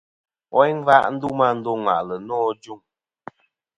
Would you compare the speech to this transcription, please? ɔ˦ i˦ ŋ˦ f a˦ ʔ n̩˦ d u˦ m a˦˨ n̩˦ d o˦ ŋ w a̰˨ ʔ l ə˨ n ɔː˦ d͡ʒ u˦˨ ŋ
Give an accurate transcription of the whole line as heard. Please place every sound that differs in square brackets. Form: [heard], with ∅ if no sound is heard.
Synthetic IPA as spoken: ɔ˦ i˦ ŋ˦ [v] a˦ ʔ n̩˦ d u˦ m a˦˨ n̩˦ d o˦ ŋ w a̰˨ ʔ l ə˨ n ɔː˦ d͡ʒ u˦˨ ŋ